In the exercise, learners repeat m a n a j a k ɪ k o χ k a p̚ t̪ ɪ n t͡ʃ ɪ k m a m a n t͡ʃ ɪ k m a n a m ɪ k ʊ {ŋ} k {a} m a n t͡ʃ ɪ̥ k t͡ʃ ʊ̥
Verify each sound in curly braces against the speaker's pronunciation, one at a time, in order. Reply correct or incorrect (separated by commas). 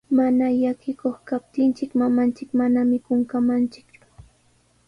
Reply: correct, correct